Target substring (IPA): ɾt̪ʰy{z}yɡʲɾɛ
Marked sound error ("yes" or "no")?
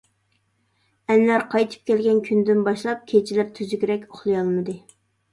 no